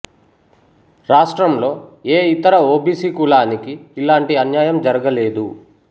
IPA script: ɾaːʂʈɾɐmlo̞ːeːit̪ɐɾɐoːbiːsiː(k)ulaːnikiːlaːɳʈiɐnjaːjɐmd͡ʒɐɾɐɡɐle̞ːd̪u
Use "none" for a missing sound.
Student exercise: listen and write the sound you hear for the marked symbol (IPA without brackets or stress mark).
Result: k